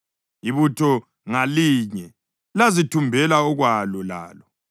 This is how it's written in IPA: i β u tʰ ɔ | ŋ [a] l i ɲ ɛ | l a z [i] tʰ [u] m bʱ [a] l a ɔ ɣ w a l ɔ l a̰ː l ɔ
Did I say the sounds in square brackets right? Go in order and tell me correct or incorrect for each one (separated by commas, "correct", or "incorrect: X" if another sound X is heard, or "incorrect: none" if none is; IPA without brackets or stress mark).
correct, correct, correct, incorrect: ɛ